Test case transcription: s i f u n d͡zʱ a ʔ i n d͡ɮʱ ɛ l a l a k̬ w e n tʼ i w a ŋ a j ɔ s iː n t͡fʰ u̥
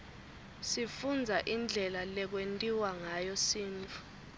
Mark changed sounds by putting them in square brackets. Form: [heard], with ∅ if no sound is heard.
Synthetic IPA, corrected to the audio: s i f u n d͡zʱ a ʔ i n d͡ɮʱ ɛ l a l [ɛ] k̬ w e n tʼ i w a ŋ a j ɔ s iː n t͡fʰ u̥

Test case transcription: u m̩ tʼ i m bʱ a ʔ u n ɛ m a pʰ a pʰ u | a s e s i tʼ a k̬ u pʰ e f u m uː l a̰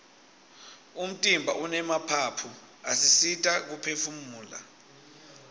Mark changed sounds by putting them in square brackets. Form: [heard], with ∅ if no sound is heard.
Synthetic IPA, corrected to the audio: u m̩ tʼ i m bʱ a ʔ u n ɛ m a pʰ a pʰ u | a s [i] s i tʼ a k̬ u pʰ e f u m uː l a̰

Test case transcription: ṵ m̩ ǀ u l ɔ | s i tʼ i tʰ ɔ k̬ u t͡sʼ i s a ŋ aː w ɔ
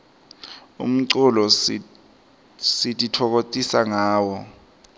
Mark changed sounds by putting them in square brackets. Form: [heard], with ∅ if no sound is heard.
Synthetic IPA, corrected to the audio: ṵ m̩ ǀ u l ɔ | s i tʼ i tʰ ɔ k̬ [o] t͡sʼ i s a ŋ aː w ɔ

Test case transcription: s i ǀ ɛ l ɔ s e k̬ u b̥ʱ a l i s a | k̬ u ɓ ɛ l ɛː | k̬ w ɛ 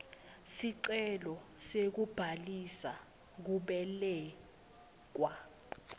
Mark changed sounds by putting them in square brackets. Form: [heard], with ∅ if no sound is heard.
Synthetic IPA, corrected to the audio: s i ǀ ɛ l ɔ s e k̬ u b̥ʱ a l i s a | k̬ u ɓ ɛ l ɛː | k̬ w [a]

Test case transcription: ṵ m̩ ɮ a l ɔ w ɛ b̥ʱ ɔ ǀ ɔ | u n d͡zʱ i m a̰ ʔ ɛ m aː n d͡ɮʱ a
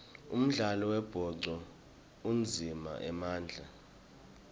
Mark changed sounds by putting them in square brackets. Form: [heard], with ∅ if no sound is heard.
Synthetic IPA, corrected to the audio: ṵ m̩ ɮ a l ɔ w ɛ b̥ʱ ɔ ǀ ɔ | u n d͡zʱ i m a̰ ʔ ɛ m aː n d͡ɮʱ a

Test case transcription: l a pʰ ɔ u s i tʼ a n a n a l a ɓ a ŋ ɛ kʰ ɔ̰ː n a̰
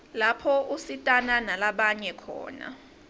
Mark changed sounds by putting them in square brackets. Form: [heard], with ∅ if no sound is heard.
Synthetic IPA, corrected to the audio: l a pʰ ɔ u s i tʼ a n a n a l a ɓ a [ɲ] ɛ kʰ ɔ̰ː n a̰

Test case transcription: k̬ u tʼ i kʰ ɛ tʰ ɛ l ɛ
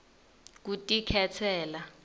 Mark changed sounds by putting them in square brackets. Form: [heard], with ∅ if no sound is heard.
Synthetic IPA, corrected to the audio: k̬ u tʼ i kʰ ɛ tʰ [ɛː] l [a]

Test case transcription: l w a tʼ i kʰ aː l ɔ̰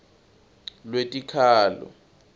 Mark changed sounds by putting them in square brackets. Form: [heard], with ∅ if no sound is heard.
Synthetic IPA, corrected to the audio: l w [e] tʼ i kʰ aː l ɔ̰

